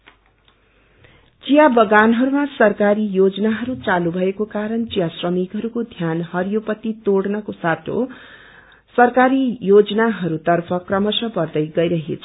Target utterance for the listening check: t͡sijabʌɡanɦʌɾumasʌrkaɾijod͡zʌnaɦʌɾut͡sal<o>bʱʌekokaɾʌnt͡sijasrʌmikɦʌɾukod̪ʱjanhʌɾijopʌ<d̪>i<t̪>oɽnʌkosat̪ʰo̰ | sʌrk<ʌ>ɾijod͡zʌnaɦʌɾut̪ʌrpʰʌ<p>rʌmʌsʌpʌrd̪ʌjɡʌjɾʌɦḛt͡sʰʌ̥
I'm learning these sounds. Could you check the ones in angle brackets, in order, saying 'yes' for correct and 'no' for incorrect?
no, no, yes, no, no

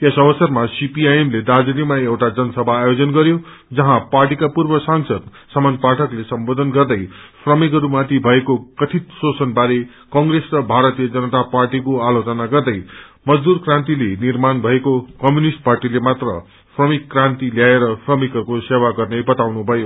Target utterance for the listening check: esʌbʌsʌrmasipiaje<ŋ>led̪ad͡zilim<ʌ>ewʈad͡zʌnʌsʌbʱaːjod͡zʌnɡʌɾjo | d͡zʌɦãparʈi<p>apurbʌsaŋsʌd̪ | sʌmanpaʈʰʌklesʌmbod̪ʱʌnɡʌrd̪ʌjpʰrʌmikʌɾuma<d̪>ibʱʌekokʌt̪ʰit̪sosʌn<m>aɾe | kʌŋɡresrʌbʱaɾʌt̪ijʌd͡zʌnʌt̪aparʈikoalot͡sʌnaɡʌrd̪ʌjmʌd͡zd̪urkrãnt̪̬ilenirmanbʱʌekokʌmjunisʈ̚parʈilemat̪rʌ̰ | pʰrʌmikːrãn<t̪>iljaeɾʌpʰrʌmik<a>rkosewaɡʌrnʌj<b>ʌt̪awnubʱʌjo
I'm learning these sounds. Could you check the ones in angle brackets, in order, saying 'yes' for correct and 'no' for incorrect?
no, no, no, no, no, yes, no, yes

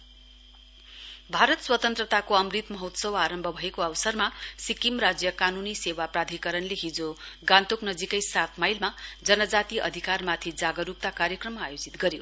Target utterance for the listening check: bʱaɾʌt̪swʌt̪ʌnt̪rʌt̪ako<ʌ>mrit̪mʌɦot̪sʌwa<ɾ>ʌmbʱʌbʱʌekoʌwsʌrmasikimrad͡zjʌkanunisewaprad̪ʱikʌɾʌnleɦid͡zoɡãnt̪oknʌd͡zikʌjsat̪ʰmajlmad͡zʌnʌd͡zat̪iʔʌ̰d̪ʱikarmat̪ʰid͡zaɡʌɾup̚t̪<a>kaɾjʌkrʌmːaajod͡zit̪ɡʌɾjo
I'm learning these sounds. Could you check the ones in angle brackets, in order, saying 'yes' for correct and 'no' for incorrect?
yes, yes, yes

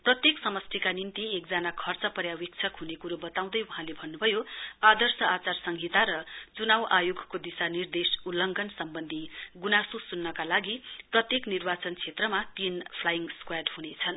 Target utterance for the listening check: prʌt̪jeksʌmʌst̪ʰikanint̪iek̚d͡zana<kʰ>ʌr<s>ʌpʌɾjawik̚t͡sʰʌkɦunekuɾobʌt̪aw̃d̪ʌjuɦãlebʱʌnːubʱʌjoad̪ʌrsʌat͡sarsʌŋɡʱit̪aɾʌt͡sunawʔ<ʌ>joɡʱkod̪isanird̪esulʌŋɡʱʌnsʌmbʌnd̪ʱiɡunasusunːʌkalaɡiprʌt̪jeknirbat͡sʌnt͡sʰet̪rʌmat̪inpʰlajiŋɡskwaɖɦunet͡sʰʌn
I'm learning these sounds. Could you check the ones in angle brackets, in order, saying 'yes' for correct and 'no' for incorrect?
yes, no, no

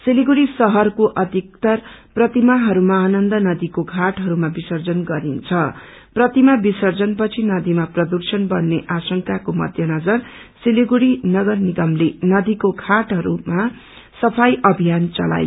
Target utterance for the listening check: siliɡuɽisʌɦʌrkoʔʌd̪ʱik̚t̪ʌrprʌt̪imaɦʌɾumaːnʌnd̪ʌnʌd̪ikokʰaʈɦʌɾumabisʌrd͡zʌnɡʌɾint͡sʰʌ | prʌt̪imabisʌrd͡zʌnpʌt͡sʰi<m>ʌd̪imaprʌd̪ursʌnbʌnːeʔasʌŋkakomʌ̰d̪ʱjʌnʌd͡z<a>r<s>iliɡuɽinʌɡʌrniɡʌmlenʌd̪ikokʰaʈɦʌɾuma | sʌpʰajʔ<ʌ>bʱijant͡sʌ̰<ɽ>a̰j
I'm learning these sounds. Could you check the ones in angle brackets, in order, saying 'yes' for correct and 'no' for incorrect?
no, no, yes, yes, no

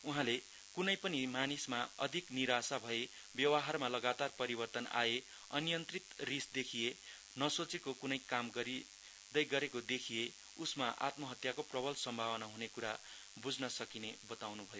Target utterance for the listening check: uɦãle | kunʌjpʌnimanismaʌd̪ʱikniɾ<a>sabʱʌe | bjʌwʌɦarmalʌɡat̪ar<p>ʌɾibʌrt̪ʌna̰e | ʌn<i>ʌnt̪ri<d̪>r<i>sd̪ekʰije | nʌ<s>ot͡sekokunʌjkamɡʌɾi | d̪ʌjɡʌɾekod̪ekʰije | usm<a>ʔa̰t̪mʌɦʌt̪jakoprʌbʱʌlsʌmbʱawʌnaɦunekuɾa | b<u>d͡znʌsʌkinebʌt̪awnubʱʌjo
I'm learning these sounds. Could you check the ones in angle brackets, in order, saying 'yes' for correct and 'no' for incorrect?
yes, yes, no, no, yes, yes, yes, yes

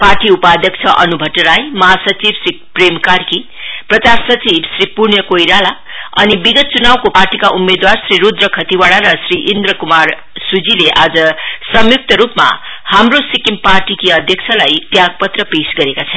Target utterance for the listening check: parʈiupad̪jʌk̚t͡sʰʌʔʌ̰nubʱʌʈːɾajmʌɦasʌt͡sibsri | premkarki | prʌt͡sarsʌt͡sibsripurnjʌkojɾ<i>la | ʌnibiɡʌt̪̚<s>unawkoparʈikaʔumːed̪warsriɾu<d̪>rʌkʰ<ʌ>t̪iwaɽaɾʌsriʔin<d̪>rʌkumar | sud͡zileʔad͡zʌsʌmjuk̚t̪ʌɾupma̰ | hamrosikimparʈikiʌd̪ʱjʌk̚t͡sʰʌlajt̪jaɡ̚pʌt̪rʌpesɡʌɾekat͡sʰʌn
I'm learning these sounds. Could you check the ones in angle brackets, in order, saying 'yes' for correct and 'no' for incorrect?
no, no, yes, yes, yes

